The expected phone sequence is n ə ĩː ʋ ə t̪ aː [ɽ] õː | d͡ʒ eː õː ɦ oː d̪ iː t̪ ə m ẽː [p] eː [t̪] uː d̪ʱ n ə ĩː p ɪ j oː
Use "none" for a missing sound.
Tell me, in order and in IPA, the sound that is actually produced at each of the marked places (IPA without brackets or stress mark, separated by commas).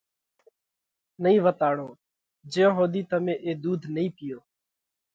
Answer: ɽ, ʔ, d̪